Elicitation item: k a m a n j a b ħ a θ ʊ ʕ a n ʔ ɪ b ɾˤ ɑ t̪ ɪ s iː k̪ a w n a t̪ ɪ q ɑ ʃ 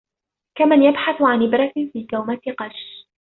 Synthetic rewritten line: k a m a n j a b ħ a θ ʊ ʕ a n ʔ ɪ b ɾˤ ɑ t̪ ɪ f iː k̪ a w m a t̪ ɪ q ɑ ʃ